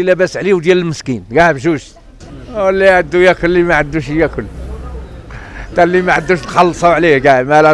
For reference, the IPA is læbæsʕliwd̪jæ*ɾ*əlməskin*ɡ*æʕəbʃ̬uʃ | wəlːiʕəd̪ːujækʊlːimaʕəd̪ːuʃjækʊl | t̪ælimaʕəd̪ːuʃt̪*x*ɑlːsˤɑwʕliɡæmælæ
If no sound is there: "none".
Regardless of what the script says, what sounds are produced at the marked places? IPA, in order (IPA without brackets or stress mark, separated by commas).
l, ɡ, x